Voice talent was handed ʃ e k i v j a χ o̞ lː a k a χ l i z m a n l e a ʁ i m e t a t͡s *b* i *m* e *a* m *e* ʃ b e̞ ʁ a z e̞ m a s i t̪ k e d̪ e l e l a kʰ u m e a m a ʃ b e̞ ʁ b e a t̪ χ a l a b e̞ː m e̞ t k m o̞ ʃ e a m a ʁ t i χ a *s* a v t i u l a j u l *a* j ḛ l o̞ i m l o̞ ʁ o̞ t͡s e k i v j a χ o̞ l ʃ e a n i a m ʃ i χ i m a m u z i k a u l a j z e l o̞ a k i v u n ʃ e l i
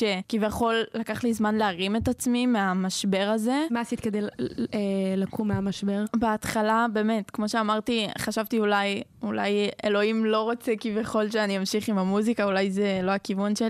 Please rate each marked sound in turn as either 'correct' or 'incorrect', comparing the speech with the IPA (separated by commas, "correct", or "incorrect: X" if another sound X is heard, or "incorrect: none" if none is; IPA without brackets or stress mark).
incorrect: m, correct, correct, incorrect: a, incorrect: ʃ, correct